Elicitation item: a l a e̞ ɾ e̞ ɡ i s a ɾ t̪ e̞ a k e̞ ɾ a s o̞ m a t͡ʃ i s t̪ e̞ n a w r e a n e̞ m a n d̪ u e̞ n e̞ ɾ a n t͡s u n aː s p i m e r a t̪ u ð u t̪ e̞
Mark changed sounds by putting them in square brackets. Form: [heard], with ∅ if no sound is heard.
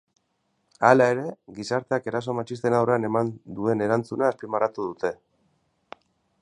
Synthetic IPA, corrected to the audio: a l a e̞ ɾ e̞ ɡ i s a ɾ t̪ e̞ a k e̞ ɾ a s o̞ m a t͡ʃ i s t̪ e̞ n a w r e a n e̞ m a n d̪ u e̞ n e̞ ɾ a n t͡s u n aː s p i m [a] r a t̪ u ð u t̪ e̞